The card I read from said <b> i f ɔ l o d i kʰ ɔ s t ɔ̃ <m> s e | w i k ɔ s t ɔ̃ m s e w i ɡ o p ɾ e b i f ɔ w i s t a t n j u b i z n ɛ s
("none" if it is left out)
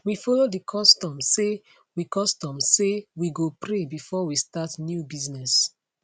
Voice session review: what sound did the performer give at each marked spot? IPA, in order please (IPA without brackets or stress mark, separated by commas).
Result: w, m